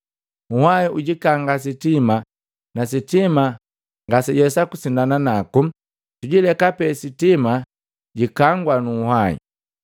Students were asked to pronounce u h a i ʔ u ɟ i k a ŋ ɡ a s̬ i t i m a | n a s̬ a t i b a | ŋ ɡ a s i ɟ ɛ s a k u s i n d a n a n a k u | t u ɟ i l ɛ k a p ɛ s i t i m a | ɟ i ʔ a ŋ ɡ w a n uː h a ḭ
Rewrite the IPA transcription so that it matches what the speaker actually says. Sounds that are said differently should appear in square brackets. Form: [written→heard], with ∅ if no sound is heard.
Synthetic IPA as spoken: u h a i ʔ u ɟ i k a ŋ ɡ a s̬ i t i m a | n a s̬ [a→i] t i [b→m] a | ŋ ɡ a s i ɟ ɛ s a k u s i n d a n a n a k u | t u ɟ i l ɛ k a p ɛ s i t i m a | ɟ i [ʔ→k] a ŋ ɡ w a n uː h a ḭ